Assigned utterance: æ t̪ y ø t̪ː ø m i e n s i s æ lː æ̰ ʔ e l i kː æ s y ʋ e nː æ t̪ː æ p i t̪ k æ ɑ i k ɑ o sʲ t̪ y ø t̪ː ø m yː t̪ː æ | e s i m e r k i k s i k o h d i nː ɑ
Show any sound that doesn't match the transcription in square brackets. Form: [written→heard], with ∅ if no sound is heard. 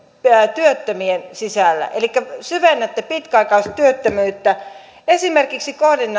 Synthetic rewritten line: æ t̪ y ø t̪ː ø m i e n s i s æ lː æ̰ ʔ e l i kː æ s y ʋ e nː æ t̪ː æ p i t̪ k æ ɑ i k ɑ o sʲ t̪ y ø t̪ː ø m yː t̪ː æ | e s i m e r k i k s i k o h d i nː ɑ